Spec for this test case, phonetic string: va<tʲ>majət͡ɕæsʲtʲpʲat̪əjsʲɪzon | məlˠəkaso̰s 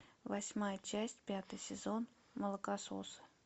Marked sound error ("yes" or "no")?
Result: yes